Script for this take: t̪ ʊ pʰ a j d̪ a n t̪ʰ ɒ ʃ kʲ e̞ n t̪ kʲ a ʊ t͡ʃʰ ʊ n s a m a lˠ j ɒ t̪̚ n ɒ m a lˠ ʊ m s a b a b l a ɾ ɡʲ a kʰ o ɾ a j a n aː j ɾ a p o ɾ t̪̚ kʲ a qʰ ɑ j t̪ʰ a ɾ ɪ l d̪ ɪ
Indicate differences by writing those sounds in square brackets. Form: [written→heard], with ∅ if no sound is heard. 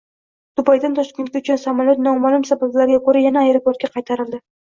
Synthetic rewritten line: t̪ ʊ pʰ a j d̪ a n t̪ʰ ɒ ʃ kʲ e̞ n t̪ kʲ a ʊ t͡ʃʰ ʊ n s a m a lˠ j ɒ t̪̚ n ɒ m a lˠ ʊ m s a b a b l a ɾ ɡʲ a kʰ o ɾ a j a n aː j ɾ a p o ɾ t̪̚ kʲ a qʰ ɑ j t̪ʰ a ɾ ɪ l d̪ ɪ